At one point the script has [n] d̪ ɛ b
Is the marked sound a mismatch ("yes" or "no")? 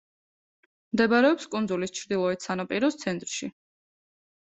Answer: yes